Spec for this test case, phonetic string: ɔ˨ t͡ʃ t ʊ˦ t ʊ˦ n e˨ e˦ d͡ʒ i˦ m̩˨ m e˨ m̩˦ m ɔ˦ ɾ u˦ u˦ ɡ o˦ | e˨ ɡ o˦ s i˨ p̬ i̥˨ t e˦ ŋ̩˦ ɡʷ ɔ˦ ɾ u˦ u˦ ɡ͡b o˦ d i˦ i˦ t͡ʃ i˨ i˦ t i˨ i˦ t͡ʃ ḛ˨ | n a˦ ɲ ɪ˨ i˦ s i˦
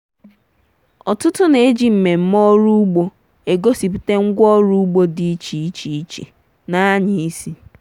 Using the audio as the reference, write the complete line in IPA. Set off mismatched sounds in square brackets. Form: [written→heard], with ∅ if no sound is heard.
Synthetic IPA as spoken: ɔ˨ [t͡ʃ→∅] t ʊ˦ t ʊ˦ n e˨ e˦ d͡ʒ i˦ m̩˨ m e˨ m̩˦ m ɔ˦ ɾ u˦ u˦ [ɡ→ɡ͡b] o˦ | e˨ ɡ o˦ s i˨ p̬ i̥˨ t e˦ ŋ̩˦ ɡʷ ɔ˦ ɾ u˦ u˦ ɡ͡b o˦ d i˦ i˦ t͡ʃ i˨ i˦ [t→t͡ʃ] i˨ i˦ t͡ʃ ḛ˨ | n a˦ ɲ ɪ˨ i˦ s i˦